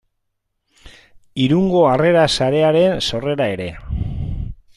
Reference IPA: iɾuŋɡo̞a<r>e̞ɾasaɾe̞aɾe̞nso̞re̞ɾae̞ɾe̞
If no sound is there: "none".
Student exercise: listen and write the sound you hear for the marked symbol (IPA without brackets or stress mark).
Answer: r